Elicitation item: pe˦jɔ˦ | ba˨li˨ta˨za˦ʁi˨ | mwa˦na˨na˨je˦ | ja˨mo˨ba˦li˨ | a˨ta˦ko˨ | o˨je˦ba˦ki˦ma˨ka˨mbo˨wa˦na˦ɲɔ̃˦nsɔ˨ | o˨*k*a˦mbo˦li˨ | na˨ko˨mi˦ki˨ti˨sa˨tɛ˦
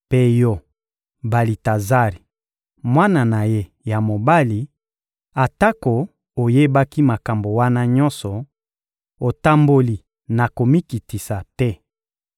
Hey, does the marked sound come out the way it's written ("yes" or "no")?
no